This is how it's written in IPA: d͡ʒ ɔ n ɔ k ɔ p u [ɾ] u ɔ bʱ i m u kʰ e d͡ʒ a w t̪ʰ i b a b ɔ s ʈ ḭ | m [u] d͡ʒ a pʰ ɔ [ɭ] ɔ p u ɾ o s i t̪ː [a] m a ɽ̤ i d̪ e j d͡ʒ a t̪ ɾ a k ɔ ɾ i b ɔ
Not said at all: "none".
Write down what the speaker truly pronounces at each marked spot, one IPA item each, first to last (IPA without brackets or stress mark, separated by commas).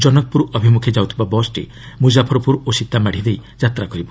ɾ, u, ɾ, a